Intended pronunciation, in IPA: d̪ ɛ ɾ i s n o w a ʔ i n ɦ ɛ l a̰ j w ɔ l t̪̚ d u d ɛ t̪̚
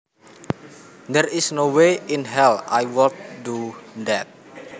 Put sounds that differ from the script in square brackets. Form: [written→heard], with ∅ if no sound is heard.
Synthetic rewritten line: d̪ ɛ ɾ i s n o w [a→e] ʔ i n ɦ ɛ l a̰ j w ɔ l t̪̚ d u d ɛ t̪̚

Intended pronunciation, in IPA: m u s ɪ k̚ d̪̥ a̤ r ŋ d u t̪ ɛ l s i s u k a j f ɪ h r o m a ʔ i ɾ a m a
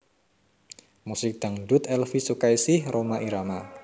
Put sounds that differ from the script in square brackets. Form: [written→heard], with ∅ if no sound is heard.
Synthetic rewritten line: m u s ɪ k̚ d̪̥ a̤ [r→∅] ŋ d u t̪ ɛ l [s→f] i s u k a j [f→s] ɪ h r o m a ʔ i ɾ a m a

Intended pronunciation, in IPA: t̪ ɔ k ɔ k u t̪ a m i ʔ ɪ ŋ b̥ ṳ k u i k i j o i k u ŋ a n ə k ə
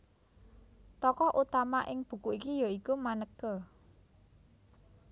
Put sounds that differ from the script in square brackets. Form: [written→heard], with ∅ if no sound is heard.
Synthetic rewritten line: t̪ ɔ k ɔ [k→ʔ] u t̪ a m [i→a] ʔ ɪ ŋ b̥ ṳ k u i k i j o i k u [ŋ→m] a n ə k ə

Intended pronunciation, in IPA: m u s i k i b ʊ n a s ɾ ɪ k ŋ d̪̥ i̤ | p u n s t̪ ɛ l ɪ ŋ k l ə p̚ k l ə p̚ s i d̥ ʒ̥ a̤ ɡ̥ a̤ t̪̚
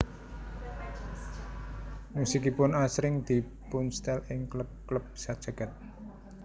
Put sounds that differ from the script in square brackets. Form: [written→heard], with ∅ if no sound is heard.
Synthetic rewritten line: m u s i k i [b→p] ʊ n a s ɾ ɪ [k→∅] ŋ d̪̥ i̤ | p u n s t̪ ɛ l ɪ ŋ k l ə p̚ k l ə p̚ s [i→a] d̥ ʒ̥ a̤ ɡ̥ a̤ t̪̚

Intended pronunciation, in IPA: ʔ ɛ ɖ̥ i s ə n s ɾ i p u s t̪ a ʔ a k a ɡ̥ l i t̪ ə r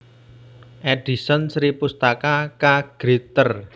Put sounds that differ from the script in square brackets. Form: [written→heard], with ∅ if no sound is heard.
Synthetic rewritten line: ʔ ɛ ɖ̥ i s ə n s ɾ i p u s t̪ a [ʔ→k] a k a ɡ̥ [l→ɾ] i t̪ ə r

